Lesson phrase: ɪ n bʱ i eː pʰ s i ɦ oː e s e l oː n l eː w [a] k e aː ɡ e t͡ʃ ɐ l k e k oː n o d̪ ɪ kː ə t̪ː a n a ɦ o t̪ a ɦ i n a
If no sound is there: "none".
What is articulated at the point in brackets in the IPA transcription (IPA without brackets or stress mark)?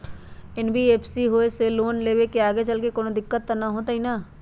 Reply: e